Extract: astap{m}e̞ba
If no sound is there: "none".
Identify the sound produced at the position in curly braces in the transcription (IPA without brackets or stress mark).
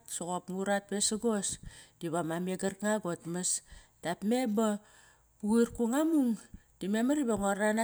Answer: m